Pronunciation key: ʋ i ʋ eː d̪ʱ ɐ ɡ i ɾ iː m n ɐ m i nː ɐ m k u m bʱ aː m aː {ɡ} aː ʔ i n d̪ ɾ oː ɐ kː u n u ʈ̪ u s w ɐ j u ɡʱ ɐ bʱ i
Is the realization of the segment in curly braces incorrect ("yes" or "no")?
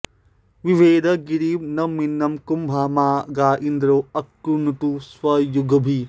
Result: no